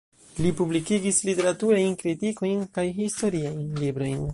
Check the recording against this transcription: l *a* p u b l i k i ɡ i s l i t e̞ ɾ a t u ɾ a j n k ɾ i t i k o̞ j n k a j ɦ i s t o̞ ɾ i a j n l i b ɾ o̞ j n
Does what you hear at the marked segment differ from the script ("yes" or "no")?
yes